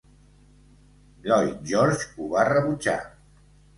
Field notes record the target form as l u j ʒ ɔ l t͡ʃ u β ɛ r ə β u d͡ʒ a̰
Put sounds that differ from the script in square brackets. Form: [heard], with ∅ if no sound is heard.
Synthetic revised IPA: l [ɔ] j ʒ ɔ [ɾ] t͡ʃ u β [a] r ə β u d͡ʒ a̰